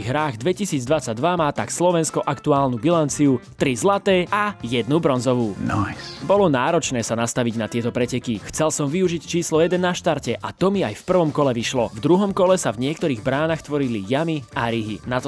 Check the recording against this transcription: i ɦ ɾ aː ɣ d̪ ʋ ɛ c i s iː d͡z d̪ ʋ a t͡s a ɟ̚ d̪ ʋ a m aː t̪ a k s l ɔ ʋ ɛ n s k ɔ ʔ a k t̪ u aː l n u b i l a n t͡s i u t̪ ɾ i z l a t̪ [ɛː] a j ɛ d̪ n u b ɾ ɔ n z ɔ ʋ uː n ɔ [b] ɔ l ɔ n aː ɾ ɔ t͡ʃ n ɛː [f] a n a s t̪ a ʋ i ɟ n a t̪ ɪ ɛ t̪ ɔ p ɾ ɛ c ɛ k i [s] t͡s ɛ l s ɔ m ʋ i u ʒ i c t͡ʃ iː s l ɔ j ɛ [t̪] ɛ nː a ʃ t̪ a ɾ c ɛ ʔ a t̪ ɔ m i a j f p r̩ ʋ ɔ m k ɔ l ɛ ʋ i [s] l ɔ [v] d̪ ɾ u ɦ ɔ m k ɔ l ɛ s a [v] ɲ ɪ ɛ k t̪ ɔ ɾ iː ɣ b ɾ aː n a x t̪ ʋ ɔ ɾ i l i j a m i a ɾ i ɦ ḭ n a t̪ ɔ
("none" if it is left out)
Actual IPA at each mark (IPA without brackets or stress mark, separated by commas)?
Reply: ɛː, b, s, x, d̪, ʃ, v, v